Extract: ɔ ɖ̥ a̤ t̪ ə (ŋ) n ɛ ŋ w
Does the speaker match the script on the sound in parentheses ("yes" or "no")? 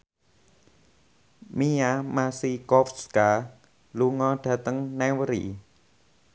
yes